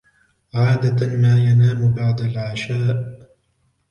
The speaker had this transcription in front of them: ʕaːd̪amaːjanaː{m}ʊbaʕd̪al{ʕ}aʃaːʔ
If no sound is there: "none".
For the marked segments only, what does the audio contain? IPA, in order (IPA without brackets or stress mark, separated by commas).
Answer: m, ʕ